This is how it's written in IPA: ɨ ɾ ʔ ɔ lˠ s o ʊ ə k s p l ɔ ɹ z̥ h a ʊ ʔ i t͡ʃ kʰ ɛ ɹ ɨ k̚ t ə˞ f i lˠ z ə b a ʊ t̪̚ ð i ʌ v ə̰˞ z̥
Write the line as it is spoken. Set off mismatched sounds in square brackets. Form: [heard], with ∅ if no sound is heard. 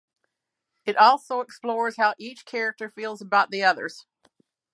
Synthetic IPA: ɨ ɾ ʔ ɔ lˠ s o ʊ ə k s p l ɔ ɹ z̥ h a ʊ ʔ i t͡ʃ kʰ ɛ ɹ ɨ k̚ t ə˞ f i lˠ z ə b a ʊ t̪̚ ð i ʌ [ð] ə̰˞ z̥